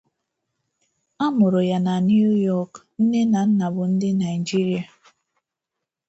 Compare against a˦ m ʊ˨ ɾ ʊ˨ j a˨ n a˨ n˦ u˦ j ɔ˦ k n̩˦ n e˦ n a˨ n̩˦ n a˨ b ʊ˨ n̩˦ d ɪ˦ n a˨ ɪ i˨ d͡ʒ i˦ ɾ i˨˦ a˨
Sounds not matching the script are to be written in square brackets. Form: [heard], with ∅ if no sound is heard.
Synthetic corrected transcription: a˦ m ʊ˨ ɾ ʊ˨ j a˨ n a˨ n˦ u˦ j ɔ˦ k n̩˦ n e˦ n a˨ n̩˦ n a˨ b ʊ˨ n̩˦ d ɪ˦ n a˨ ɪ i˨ d͡ʒ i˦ ɾ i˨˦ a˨